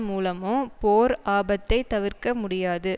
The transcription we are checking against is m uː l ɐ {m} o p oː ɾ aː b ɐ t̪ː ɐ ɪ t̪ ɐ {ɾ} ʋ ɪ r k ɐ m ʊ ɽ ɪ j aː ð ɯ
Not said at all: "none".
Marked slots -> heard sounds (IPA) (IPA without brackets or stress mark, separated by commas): m, none